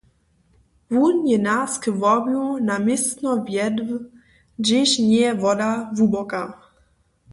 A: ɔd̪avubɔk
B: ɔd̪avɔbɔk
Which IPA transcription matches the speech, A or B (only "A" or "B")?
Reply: A